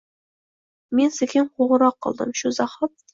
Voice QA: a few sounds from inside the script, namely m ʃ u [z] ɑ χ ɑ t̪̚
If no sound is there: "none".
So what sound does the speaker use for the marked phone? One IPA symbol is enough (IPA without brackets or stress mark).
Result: z